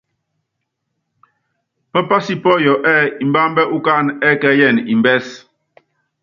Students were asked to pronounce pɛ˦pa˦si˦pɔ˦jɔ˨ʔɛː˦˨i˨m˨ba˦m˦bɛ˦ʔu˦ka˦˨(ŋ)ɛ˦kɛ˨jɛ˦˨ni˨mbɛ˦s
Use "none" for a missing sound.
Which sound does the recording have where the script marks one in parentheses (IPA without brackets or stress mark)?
n